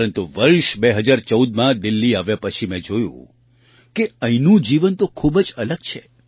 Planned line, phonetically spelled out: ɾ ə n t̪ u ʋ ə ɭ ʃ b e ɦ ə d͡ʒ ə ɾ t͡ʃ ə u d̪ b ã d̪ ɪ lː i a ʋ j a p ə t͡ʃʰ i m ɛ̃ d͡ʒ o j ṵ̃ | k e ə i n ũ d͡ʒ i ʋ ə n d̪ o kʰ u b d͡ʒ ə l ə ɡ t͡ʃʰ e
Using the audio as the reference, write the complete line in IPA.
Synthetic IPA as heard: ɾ ə n t̪ u ʋ ə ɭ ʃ b e ɦ ə d͡ʒ a ɾ t͡ʃ ə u d̪ m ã d̪ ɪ lː i a ʋ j a p ə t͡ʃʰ i m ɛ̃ d͡ʒ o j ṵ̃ | k e ə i n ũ d͡ʒ i ʋ ə n t̪ o kʰ u b d͡ʒ ə l ə ɡ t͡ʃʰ e